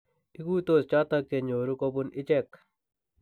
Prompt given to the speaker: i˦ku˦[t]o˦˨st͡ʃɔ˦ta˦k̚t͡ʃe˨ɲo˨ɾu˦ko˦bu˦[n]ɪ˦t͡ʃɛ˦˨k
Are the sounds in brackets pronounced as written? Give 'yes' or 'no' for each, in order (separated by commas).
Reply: yes, yes